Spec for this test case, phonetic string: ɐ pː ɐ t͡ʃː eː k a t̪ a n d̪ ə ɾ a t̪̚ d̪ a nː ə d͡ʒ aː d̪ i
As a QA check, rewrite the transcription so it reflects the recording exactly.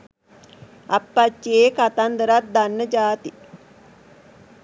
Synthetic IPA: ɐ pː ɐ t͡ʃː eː k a t̪ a n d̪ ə ɾ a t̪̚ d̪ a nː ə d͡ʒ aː t̪ i